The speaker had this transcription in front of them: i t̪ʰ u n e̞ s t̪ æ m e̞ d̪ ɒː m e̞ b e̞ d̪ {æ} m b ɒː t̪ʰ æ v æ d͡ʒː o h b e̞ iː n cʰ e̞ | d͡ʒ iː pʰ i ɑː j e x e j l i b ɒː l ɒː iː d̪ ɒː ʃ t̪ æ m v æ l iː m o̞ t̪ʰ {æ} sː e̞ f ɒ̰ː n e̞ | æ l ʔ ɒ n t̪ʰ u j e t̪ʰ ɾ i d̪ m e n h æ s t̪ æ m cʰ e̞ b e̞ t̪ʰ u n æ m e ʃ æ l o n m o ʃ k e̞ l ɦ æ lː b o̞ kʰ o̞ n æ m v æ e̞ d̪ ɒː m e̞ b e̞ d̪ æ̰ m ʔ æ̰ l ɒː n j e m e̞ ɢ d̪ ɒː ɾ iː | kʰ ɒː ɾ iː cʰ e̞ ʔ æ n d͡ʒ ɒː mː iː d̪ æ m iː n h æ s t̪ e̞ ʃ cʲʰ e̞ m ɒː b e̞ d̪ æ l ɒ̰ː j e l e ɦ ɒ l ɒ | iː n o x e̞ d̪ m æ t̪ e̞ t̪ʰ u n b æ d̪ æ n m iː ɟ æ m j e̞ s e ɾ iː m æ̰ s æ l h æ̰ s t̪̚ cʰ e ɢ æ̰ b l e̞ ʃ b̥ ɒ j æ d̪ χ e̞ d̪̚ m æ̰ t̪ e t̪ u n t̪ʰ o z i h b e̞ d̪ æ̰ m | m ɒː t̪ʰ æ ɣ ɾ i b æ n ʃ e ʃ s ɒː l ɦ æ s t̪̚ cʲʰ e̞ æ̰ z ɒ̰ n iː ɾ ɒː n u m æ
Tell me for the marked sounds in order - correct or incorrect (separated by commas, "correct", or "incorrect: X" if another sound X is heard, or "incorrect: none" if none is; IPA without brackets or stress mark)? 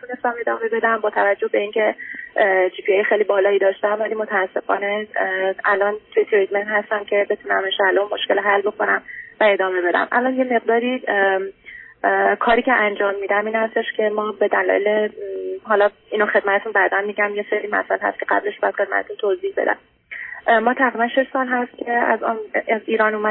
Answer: correct, incorrect: æː